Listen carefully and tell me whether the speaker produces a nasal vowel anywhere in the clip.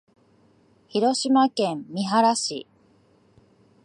yes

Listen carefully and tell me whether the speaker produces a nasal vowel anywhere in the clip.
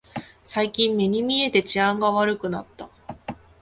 yes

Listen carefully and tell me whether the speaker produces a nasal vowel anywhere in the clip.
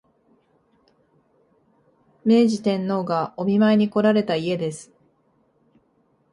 yes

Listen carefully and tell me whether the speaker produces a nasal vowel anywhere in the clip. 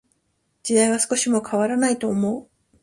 no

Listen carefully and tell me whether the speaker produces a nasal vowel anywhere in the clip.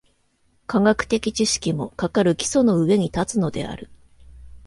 no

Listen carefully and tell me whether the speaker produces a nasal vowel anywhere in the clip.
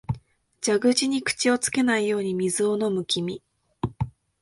no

